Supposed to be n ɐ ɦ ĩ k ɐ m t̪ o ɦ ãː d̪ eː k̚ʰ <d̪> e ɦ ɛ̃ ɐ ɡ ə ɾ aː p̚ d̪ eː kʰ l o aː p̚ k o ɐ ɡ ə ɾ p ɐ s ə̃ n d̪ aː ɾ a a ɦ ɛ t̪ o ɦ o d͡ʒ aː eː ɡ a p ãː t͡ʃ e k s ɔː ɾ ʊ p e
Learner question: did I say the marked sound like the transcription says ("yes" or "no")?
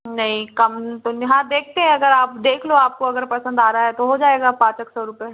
no